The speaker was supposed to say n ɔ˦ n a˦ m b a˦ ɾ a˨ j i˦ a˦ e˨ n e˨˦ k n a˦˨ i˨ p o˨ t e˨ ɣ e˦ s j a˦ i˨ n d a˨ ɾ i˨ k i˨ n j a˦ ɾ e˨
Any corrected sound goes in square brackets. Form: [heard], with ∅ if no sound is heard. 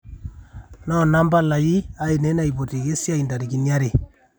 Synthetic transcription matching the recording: n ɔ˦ n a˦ m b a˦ [l] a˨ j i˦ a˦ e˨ n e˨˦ [∅] n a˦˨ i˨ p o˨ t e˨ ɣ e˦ s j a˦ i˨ n d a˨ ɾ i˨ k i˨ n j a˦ ɾ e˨